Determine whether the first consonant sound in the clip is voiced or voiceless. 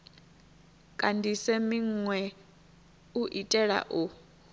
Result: voiceless